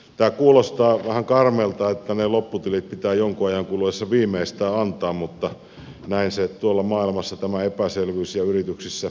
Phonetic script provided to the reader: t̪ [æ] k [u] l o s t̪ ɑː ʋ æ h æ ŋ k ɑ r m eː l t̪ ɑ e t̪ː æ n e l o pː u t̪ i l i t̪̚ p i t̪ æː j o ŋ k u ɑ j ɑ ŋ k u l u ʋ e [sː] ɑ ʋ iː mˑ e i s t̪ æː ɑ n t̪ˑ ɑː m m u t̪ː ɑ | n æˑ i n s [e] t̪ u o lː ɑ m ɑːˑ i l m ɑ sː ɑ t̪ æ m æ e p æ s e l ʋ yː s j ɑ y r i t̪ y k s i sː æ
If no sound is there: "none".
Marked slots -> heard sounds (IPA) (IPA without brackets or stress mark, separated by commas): æː, uː, sː, e